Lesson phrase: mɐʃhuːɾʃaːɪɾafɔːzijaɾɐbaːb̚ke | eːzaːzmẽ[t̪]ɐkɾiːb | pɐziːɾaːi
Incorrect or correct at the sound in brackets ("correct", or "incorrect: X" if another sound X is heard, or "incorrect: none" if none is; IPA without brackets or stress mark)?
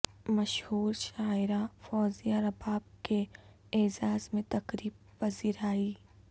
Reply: correct